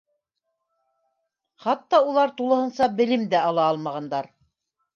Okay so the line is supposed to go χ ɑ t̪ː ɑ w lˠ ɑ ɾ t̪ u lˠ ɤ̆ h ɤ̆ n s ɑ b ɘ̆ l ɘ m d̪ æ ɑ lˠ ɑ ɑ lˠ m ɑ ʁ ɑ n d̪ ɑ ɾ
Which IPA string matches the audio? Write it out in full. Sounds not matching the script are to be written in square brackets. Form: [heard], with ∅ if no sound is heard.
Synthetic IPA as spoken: χ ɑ t̪ː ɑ [u] lˠ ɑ ɾ t̪ u lˠ ɤ̆ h ɤ̆ n s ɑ b ɘ̆ l ɘ m d̪ æ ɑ lˠ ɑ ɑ lˠ m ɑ ʁ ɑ n d̪ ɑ ɾ